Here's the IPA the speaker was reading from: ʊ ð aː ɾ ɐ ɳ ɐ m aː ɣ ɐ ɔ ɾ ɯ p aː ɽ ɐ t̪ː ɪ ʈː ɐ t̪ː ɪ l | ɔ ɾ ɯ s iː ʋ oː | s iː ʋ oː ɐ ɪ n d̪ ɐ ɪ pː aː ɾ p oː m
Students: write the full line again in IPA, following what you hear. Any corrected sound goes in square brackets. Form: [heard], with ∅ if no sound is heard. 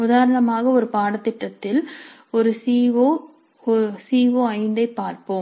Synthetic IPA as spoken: ʊ ð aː ɾ ɐ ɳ ɐ m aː ɣ ɐ ɔ ɾ ɯ p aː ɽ ɐ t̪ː ɪ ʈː ɐ t̪ː ɪ l | ɔ ɾ ɯ s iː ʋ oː | s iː ʋ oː ɐ ɪ n d̪ ɐ ɪ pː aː ɾ p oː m

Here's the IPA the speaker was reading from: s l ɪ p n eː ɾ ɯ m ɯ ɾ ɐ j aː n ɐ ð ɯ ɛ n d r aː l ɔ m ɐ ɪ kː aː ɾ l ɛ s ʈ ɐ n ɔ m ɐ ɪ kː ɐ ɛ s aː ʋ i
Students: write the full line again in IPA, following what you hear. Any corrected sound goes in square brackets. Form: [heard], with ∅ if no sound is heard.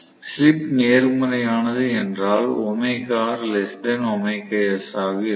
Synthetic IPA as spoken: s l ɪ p n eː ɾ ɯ m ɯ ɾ ɐ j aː n ɐ ð ɯ ɛ n d r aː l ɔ m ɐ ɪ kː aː ɾ l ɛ s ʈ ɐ n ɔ m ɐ ɪ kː ɐ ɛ s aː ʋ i

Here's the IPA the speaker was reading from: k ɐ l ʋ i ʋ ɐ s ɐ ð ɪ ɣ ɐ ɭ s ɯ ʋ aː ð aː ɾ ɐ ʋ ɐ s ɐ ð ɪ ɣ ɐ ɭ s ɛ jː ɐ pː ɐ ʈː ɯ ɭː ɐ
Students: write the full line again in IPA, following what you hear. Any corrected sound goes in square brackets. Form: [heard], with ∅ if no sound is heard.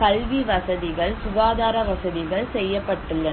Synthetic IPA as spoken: k ɐ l ʋ i ʋ ɐ s ɐ ð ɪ ɣ ɐ ɭ s [ʊ] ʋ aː ð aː ɾ ɐ ʋ ɐ s ɐ ð ɪ ɣ ɐ ɭ s ɛ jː ɐ pː ɐ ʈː ɯ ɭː ɐ

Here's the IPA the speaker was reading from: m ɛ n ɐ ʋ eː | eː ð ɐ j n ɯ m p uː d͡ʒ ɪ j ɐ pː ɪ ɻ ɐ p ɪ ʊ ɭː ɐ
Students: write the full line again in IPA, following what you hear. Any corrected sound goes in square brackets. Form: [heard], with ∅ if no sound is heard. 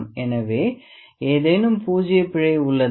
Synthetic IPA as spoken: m ɛ n ɐ ʋ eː | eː ð ɐ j n ɯ m p uː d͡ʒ ɪ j ɐ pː ɪ ɻ ɐ [∅] ɪ ʊ ɭː ɐ

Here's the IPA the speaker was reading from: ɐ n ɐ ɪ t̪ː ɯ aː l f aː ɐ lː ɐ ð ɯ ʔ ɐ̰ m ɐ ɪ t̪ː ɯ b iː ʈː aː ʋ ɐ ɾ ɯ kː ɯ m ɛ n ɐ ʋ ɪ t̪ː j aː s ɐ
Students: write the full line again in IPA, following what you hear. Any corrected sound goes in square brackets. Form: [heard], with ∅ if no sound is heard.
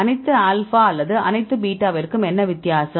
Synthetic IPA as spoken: ɐ n ɐ ɪ t̪ː ɯ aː l f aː ɐ lː ɐ ð ɯ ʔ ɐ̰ [n] ɐ ɪ t̪ː ɯ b iː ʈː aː ʋ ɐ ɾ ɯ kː ɯ m ɛ [nː] ɐ ʋ ɪ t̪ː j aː s ɐ

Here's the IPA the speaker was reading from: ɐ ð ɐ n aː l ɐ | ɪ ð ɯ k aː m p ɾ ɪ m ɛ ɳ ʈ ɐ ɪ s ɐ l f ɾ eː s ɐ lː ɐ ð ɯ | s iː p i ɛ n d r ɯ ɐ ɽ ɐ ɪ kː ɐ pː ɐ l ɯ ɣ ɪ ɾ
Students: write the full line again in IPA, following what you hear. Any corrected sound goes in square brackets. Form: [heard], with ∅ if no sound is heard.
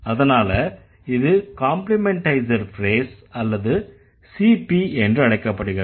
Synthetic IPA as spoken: ɐ ð ɐ n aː l ɐ | ɪ ð ɯ k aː m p [l] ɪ m ɛ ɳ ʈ ɐ ɪ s ɐ [ɾ] f ɾ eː s ɐ lː ɐ ð ɯ | s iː p i ɛ n d r ɯ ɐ ɽ ɐ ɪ kː ɐ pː ɐ [ɽ] ɯ ɣ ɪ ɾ

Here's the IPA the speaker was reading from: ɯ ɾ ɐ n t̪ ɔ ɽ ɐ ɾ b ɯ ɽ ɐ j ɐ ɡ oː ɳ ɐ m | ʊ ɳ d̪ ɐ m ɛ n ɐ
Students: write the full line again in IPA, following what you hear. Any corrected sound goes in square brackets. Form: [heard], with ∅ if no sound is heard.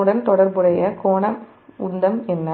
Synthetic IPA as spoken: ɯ [ɽ] ɐ n t̪ ɔ ɽ ɐ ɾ b ɯ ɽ ɐ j ɐ [k] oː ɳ ɐ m | ʊ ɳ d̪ ɐ m ɛ [nː] ɐ

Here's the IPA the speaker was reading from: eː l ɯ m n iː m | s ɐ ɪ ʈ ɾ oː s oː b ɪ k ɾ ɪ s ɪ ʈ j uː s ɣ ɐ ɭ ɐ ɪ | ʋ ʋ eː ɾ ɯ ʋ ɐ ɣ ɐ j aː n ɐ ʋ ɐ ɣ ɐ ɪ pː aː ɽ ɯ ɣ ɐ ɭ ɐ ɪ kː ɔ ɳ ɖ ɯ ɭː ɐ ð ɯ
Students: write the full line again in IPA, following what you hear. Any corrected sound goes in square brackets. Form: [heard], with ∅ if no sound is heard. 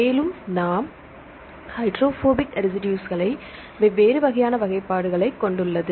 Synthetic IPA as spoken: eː l ɯ m n [aː] m | [h] ɐ ɪ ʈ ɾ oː [f] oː b ɪ k ɾ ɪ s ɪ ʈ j uː s ɣ ɐ ɭ ɐ ɪ | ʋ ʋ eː ɾ ɯ ʋ ɐ ɣ ɐ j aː n ɐ ʋ ɐ ɣ ɐ ɪ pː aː ɽ ɯ ɣ ɐ ɭ ɐ ɪ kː ɔ ɳ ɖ ɯ ɭː ɐ ð ɯ

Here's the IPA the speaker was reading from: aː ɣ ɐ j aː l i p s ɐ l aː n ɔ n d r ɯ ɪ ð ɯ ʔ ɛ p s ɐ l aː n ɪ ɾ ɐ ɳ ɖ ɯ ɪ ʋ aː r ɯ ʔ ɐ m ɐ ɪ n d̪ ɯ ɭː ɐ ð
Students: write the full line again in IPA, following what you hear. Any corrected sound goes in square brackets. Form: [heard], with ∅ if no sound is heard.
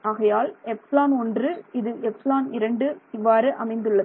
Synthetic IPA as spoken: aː ɣ ɐ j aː l [ɛ] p s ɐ l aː n ɔ n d r ɯ ɪ ð ɯ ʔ ɛ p s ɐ l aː n ɪ ɾ ɐ ɳ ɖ ɯ ɪ [ʋː] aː [ɾ] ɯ ʔ ɐ m ɐ ɪ n d̪ ɯ ɭː ɐ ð

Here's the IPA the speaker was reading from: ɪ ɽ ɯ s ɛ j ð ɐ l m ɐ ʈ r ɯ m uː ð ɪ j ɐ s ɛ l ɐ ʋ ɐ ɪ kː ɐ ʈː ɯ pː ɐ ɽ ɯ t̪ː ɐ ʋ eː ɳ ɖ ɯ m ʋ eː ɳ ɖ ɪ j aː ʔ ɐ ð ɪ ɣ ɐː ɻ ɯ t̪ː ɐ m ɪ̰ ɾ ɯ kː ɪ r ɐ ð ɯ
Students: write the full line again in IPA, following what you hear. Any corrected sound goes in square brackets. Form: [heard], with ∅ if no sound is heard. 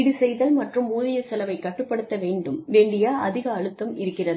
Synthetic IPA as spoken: ɪ ɽ ɯ s ɛ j ð ɐ l m ɐ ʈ r ɯ m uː ð ɪ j ɐ s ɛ l ɐ ʋ ɐ ɪ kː ɐ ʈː ɯ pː ɐ ɽ ɯ t̪ː ɐ ʋ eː ɳ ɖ ɯ m ʋ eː ɳ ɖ ɪ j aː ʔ ɐ ð ɪ ɣ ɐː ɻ ɯ t̪ː ɐ m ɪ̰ ɾ ɯ kː ɪ r ɐ ð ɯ

